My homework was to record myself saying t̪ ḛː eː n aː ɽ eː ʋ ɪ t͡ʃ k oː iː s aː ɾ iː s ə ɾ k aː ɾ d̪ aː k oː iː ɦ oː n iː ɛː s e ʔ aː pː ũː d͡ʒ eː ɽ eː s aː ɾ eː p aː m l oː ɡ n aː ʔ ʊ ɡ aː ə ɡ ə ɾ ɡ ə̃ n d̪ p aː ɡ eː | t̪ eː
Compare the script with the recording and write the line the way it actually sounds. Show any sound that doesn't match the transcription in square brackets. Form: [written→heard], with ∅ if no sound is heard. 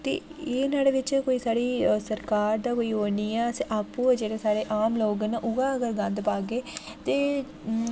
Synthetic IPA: t̪ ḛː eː n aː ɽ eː ʋ ɪ t͡ʃ k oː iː s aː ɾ iː s ə ɾ k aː ɾ d̪ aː k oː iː ɦ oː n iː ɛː s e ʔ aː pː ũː d͡ʒ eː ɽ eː s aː ɾ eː [p→ʔ] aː m l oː ɡ n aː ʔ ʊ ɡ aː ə ɡ ə ɾ ɡ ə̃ n d̪ p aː ɡ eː | t̪ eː